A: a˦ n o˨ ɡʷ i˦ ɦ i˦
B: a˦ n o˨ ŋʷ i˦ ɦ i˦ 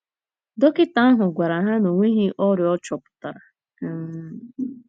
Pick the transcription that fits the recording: B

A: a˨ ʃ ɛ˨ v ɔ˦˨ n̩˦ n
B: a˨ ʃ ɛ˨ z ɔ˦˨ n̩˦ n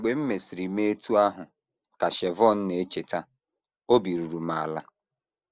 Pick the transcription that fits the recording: A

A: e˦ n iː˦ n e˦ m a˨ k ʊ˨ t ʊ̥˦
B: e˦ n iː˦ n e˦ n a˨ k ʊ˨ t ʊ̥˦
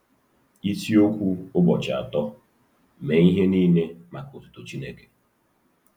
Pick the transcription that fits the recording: A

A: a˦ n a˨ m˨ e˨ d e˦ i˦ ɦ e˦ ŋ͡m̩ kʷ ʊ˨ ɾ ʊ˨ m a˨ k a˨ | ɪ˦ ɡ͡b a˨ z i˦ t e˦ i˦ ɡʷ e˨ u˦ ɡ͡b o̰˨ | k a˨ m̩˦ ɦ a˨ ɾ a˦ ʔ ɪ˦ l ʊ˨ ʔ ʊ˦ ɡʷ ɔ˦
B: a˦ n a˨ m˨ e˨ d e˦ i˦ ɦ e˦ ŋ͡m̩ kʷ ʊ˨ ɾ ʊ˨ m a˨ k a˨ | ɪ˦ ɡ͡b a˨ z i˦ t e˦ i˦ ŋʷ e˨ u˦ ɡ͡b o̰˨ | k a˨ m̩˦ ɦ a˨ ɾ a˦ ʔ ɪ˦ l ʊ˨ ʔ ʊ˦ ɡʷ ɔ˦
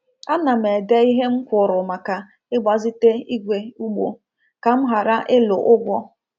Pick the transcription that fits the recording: A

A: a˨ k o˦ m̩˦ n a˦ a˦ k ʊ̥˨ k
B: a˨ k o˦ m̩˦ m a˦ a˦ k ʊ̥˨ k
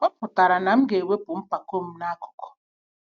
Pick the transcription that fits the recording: A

